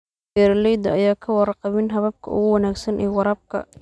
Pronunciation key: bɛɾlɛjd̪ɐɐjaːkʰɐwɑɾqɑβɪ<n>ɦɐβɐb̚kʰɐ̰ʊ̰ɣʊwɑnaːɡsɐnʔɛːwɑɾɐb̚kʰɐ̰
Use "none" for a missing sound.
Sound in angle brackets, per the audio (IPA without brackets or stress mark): n